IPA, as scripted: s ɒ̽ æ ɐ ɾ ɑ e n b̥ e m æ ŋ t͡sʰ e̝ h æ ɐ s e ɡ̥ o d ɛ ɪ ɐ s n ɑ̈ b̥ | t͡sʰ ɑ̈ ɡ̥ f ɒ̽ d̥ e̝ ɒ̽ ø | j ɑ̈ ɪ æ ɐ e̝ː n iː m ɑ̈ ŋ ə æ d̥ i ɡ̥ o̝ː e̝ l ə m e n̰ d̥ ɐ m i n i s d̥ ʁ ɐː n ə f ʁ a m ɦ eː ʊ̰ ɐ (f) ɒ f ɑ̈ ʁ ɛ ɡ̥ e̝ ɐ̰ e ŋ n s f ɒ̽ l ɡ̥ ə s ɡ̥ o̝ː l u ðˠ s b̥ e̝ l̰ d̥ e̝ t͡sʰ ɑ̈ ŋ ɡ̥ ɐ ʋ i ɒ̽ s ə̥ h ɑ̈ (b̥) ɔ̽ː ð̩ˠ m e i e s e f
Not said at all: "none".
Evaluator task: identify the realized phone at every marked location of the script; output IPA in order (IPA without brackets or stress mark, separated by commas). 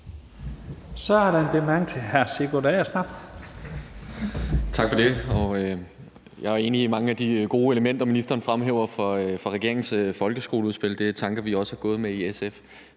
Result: f, ɡ̥